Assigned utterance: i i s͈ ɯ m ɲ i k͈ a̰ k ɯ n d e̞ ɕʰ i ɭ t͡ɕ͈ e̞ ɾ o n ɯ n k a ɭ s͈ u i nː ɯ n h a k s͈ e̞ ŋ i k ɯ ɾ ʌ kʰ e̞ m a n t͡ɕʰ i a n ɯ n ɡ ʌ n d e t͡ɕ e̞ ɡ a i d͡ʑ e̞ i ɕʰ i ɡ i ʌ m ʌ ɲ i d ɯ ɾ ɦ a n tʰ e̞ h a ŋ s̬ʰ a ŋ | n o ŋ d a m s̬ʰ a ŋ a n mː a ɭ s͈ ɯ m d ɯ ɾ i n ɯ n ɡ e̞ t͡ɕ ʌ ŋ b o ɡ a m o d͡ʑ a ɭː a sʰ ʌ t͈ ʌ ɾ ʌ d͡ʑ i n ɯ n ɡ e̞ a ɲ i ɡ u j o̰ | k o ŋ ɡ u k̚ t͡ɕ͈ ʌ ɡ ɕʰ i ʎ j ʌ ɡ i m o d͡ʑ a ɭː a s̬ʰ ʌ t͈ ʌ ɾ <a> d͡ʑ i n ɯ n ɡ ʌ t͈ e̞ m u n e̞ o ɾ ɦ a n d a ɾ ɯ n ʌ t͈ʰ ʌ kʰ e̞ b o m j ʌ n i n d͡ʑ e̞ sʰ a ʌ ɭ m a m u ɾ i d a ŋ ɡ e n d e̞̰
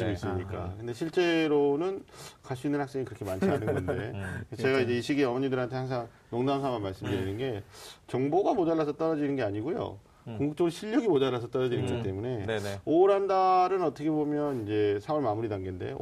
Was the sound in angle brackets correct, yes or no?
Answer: no